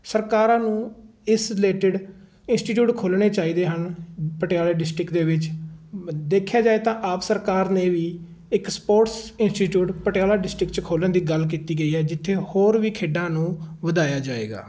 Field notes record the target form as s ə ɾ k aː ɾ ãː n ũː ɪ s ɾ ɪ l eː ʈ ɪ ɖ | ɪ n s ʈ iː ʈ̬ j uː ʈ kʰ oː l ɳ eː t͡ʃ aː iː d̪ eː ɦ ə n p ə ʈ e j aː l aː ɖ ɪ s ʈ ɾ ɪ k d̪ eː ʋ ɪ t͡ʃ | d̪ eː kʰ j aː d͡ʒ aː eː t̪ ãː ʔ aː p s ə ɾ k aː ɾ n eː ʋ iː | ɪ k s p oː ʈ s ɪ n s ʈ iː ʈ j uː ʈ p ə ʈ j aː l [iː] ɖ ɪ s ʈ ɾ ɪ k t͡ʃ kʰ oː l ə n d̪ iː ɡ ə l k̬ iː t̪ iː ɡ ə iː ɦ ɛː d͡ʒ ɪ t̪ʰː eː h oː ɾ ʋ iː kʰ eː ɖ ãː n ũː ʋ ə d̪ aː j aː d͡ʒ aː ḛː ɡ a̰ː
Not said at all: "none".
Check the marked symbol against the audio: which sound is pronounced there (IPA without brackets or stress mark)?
aː